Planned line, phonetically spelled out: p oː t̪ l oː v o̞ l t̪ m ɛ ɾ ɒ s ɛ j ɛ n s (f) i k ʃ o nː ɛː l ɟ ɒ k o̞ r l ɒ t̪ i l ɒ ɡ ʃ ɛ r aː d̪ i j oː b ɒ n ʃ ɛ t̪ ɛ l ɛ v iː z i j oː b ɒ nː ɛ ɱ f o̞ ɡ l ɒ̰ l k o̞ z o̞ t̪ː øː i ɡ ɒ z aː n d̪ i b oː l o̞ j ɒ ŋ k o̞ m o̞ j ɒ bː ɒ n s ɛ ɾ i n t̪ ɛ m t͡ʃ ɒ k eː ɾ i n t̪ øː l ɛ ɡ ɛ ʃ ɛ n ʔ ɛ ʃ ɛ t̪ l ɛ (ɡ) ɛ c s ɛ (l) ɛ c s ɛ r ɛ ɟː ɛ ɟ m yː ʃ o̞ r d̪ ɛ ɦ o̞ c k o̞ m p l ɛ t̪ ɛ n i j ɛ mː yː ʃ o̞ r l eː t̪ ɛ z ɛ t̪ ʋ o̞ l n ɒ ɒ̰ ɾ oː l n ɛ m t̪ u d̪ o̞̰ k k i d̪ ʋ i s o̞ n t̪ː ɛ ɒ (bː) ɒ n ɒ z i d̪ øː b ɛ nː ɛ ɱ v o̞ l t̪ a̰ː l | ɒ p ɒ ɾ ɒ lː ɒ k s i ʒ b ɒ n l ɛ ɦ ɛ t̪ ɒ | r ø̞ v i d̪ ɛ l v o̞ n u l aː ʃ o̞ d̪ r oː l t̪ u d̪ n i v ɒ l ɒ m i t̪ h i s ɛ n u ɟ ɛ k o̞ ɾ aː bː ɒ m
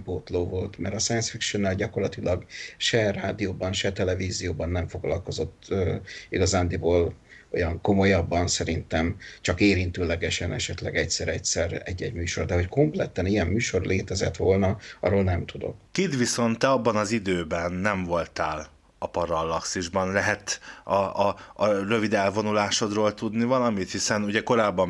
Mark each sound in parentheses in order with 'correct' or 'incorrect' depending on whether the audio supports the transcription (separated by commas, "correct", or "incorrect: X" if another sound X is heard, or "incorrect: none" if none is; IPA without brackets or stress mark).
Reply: correct, correct, incorrect: ɾ, correct